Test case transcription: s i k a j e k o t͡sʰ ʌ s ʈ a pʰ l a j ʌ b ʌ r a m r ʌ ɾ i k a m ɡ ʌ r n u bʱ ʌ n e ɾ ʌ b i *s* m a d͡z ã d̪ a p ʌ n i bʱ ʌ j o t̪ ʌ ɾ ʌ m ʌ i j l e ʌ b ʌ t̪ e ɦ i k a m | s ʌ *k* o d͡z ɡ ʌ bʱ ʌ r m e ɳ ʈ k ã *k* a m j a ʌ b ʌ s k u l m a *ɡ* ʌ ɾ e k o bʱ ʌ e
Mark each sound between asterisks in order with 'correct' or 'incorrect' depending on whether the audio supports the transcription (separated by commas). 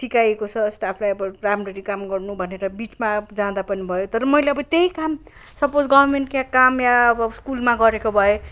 incorrect, incorrect, correct, correct